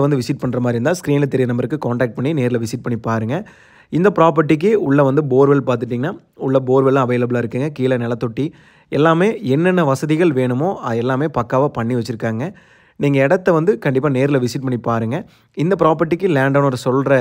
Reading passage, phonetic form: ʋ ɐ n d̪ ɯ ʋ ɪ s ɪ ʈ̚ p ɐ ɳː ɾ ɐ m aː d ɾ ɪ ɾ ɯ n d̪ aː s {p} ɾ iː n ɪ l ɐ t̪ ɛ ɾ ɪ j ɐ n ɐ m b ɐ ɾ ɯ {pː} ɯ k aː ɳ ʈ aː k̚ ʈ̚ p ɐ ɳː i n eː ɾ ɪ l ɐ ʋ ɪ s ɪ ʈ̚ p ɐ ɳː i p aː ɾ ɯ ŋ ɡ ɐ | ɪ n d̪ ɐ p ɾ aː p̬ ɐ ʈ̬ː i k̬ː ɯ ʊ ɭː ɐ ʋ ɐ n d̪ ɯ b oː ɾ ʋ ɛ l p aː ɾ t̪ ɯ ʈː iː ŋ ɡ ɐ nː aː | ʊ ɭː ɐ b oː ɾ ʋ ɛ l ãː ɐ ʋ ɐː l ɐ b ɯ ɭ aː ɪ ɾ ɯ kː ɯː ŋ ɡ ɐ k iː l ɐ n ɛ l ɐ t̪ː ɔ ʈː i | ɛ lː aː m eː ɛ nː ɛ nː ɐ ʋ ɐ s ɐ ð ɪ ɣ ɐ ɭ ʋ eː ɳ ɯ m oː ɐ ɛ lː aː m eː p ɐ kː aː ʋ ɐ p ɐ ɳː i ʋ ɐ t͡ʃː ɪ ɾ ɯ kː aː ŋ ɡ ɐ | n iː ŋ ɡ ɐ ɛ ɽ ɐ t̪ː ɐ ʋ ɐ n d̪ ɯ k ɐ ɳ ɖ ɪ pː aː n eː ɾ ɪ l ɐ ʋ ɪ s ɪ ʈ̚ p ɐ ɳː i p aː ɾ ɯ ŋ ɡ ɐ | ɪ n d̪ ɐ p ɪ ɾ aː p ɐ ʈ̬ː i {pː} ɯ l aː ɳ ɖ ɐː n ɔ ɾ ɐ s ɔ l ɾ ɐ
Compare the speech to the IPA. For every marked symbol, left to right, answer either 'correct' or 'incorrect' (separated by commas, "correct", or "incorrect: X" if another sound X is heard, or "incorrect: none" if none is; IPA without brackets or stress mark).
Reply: incorrect: k, incorrect: kː, incorrect: kː